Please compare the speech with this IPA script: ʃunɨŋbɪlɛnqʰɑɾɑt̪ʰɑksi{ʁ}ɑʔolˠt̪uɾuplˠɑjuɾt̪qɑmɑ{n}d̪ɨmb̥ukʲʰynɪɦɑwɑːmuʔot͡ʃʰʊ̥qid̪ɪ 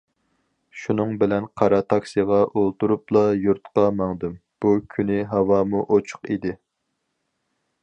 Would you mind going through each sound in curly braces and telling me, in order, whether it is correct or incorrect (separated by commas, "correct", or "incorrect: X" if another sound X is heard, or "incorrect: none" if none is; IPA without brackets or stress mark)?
correct, incorrect: ŋ